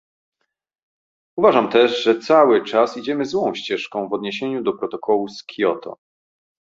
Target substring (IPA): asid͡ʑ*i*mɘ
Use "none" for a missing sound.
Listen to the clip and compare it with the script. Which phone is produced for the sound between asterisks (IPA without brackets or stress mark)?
ɛ